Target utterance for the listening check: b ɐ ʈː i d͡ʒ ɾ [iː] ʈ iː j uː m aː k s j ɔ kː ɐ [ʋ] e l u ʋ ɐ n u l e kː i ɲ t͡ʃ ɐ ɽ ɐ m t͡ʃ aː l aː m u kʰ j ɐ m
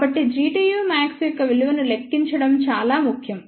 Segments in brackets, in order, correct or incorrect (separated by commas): correct, correct